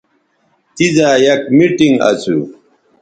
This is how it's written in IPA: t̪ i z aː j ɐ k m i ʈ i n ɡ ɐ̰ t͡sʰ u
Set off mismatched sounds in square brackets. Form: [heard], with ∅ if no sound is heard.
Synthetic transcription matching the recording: t̪ i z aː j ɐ k m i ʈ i [ŋ] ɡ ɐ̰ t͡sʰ u